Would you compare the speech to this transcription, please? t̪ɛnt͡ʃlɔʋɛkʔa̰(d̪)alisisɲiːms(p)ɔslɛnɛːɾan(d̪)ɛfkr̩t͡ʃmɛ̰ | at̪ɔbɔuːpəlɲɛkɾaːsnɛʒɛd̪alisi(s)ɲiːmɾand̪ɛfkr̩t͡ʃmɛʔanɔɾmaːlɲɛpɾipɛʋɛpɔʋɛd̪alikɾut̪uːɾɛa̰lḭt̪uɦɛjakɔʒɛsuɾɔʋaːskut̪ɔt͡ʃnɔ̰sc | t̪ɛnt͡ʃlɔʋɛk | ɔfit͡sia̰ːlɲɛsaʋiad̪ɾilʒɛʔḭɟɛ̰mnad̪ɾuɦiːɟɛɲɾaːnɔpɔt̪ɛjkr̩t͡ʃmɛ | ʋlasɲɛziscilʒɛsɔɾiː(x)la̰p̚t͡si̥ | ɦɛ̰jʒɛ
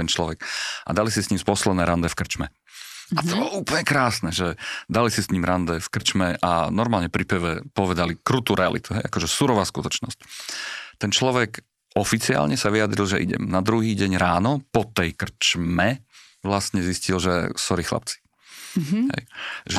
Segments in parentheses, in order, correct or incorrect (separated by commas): correct, correct, correct, correct, correct